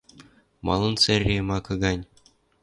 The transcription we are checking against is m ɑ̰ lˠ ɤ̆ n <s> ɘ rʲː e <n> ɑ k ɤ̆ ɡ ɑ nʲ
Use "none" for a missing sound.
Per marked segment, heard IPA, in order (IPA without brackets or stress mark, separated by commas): s, m